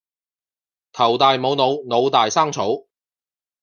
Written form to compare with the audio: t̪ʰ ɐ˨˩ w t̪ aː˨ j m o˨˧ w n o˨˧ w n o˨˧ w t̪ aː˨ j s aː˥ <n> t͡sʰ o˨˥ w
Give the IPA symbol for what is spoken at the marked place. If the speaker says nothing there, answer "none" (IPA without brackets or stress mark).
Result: ŋ